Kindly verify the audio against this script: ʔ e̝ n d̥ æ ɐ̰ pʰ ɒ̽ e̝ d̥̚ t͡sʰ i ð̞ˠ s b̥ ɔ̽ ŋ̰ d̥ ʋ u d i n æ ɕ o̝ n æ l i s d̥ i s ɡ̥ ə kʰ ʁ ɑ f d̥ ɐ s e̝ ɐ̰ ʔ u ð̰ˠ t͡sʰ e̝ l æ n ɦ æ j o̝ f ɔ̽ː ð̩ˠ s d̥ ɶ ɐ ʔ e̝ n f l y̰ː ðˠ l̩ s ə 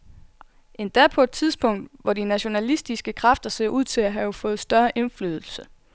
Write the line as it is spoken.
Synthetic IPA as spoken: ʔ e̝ n d̥ æ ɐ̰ pʰ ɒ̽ e̝ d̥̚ t͡sʰ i ð̞ˠ s b̥ ɔ̽ ŋ̰ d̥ ʋ ɒ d i n æ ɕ o̝ n æ l i s d̥ i s ɡ̥ ə kʰ ʁ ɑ f d̥ ɐ s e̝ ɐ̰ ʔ u ð̰ˠ t͡sʰ e̝ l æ ɦ æ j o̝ f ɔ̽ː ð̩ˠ s d̥ ɶ ɐ ʔ e̝ n f l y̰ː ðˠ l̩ s ə